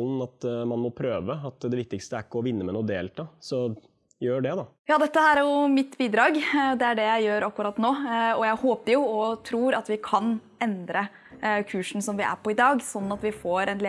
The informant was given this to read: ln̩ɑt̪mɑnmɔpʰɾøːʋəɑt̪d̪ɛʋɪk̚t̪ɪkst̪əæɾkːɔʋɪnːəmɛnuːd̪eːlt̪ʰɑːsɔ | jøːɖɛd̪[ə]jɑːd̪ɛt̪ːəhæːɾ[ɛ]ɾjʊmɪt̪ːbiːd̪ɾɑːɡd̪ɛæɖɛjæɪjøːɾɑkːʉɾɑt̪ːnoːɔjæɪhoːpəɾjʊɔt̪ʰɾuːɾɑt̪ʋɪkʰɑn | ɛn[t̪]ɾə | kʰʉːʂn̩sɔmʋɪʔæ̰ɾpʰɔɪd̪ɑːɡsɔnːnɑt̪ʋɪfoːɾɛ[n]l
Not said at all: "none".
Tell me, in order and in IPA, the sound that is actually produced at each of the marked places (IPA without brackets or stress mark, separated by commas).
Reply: ɑ, æ, d̪, n